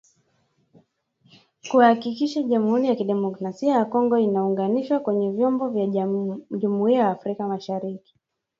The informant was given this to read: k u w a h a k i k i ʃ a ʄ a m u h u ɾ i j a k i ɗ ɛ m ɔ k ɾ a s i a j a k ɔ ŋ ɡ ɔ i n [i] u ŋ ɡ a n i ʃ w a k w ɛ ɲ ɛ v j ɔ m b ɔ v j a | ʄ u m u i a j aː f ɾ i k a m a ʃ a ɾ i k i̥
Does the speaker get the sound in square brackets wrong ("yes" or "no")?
yes